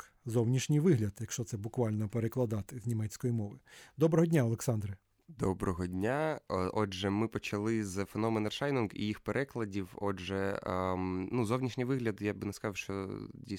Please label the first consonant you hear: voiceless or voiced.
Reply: voiced